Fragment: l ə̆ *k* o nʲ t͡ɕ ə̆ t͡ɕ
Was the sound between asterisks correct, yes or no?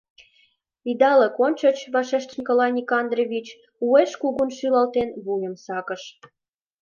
yes